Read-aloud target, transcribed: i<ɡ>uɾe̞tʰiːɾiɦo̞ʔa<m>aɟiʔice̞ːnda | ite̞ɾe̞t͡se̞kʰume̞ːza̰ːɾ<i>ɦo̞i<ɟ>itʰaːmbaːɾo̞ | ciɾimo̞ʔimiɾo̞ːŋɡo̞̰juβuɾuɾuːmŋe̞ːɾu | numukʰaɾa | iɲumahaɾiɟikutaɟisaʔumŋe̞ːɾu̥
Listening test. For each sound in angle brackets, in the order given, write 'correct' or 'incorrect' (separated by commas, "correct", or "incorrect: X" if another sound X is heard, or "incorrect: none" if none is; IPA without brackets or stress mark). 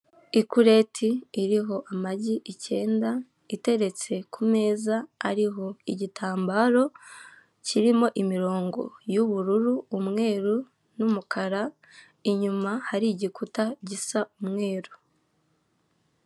incorrect: k, correct, correct, correct